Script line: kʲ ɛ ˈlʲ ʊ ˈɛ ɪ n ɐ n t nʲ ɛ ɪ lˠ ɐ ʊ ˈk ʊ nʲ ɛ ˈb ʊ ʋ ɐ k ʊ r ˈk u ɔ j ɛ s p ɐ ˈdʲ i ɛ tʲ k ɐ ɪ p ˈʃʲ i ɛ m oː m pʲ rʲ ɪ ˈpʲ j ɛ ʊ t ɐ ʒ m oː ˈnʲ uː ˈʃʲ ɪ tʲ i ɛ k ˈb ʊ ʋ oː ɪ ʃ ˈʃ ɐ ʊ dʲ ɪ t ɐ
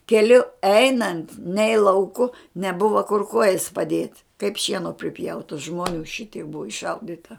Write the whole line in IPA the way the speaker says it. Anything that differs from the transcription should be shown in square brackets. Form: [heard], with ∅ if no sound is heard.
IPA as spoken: kʲ ɛ ˈlʲ ʊ ˈɛ ɪ n ɐ n t nʲ ɛ ɪ lˠ ɐ ʊ ˈk ʊ nʲ ɛ ˈb ʊ ʋ ɐ k ʊ r ˈk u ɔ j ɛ s p ɐ ˈdʲ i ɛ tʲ k ɐ ɪ p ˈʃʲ i ɛ [n] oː [∅] pʲ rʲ ɪ ˈpʲ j ɛ ʊ t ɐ ʒ m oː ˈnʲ uː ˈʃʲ ɪ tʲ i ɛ k ˈb ʊ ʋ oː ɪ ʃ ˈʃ ɐ ʊ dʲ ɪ t ɐ

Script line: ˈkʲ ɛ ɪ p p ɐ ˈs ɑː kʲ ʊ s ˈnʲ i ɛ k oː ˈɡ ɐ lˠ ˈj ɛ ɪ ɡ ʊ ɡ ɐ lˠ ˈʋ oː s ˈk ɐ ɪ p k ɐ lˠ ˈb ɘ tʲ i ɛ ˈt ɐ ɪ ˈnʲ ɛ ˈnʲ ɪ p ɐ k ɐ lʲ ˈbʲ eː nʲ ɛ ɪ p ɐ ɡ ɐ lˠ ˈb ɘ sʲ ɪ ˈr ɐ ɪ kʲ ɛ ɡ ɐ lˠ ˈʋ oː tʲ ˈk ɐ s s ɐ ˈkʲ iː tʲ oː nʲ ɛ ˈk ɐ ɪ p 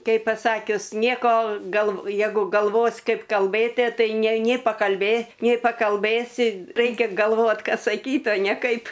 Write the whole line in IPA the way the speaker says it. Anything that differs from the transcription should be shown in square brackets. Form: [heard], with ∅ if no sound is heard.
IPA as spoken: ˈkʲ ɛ ɪ p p ɐ ˈs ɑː kʲ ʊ s ˈnʲ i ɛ k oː ˈɡ ɐ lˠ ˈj ɛ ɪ ɡ ʊ ɡ ɐ lˠ ˈʋ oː s ˈk ɐ ɪ p k ɐ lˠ ˈb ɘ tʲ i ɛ ˈt ɐ ɪ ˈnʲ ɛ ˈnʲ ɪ p ɐ k ɐ lʲ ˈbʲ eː nʲ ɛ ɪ p ɐ [k] ɐ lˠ ˈb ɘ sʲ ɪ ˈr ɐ ɪ kʲ ɛ ɡ ɐ lˠ ˈʋ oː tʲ ˈk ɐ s s ɐ ˈkʲ iː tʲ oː nʲ ɛ ˈk ɐ ɪ p

